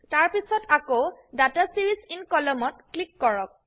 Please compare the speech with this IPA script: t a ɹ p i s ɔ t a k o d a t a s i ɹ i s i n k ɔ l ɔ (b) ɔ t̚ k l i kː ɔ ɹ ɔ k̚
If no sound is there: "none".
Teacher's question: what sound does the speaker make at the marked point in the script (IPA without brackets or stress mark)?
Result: m